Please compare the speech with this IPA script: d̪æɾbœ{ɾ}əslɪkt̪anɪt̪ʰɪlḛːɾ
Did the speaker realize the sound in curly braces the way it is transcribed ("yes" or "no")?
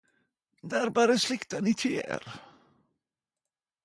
yes